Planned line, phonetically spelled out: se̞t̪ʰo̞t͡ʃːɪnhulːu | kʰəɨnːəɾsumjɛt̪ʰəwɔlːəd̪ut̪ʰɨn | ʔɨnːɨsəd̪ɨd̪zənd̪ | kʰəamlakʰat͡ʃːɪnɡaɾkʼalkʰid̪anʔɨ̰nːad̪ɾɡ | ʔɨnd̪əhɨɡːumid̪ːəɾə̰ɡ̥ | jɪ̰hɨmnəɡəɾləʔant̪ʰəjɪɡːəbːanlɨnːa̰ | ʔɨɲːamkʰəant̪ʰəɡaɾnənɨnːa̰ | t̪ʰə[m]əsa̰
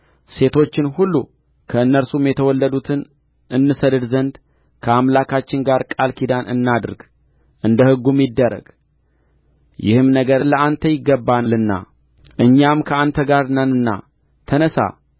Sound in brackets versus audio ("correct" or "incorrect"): incorrect